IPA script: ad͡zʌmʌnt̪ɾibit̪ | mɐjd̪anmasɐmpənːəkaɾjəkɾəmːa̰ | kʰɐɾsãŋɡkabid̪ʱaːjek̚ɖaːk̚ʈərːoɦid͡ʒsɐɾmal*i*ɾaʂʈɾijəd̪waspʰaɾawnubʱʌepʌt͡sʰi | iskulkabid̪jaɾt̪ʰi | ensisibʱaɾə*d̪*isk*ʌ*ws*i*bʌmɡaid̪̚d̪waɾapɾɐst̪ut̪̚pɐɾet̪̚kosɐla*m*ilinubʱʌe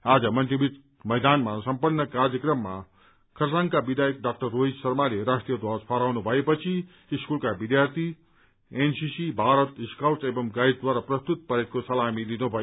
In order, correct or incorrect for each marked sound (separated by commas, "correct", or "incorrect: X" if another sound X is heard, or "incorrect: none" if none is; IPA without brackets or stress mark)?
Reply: incorrect: e, incorrect: t̪, incorrect: a, incorrect: e, correct